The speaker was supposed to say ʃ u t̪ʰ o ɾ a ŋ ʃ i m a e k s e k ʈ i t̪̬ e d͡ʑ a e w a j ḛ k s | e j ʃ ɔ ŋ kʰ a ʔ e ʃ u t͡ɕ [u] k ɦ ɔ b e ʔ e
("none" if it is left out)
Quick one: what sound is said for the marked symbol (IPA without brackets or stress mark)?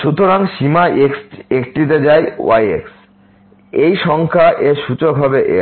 o